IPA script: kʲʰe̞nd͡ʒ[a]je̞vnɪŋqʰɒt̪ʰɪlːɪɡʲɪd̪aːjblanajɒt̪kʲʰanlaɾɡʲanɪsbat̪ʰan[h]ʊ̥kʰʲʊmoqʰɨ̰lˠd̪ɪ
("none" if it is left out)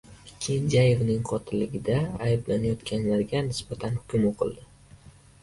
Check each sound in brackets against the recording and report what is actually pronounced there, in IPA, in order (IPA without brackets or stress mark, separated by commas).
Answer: a, h